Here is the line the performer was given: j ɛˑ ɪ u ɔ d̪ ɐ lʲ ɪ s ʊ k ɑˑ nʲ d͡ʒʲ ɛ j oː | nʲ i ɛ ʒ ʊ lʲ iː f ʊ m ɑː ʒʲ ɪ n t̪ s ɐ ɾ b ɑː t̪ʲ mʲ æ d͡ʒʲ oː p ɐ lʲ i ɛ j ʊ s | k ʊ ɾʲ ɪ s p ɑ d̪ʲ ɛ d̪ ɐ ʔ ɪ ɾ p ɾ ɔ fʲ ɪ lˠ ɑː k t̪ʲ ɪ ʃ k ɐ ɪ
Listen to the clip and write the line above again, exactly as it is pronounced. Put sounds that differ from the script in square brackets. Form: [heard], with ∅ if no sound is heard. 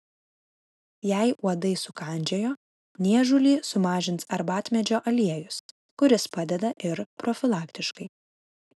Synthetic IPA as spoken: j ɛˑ ɪ u ɔ d̪ ɐ [∅] ɪ s ʊ k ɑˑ nʲ d͡ʒʲ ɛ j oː | nʲ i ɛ ʒ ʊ lʲ iː [s] ʊ m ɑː ʒʲ ɪ n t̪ s ɐ ɾ b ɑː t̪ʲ mʲ [ɛ] d͡ʒʲ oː [ʔ] ɐ lʲ i ɛ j ʊ s | k ʊ ɾʲ ɪ s p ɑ d̪ʲ ɛ d̪ ɐ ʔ ɪ ɾ p ɾ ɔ fʲ ɪ lˠ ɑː k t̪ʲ ɪ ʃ k ɐ ɪ